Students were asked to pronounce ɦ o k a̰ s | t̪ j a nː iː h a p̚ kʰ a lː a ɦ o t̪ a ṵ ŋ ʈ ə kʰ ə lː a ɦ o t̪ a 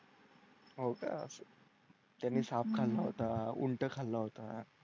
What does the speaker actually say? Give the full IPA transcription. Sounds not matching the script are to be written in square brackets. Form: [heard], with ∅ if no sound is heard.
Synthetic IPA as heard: ɦ o k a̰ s | t̪ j a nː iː [s] a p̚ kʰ a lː a ɦ o t̪ a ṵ [ɳ] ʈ ə kʰ [a] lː a ɦ o t̪ a